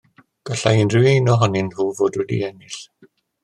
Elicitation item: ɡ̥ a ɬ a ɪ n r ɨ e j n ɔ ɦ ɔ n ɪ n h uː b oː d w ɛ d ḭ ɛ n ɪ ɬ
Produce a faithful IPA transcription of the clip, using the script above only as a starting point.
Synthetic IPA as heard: ɡ̥ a ɬ a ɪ n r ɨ e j n ɔ ɦ ɔ n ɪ n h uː v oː d w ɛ d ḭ ɛ n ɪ ɬ